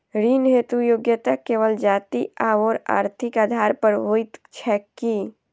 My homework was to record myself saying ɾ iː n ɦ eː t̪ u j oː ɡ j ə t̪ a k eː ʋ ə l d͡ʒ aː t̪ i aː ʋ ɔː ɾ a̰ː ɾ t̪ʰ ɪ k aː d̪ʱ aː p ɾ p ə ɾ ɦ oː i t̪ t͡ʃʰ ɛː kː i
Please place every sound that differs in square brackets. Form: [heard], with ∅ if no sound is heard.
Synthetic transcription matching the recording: ɾ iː n ɦ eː t̪ u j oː ɡ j ə t̪ a k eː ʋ ə l d͡ʒ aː t̪ i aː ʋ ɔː ɾ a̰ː ɾ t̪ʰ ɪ k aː d̪ʱ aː [∅] ɾ p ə ɾ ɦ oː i t̪ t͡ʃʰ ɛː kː i